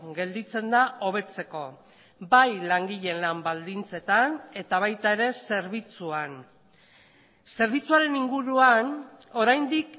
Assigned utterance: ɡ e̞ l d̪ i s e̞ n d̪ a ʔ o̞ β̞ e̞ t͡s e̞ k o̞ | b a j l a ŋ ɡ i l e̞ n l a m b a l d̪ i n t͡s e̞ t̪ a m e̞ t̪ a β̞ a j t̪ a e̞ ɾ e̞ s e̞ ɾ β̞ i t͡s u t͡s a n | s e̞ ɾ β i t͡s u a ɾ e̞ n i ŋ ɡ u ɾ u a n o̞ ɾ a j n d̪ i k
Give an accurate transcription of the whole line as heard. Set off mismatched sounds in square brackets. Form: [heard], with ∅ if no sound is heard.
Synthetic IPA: ɡ e̞ l d̪ i [t͡s] e̞ n d̪ a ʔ o̞ β̞ e̞ t͡s e̞ k o̞ | b a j l a ŋ ɡ i [ʎ] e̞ n l a m b a l d̪ i n t͡s e̞ t̪ a [n] e̞ t̪ a β̞ a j t̪ a e̞ ɾ e̞ s e̞ ɾ β̞ i t͡s u [∅] a n | s e̞ ɾ β i t͡s u a ɾ e̞ n i ŋ ɡ u ɾ u a n o̞ ɾ a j n d̪ i k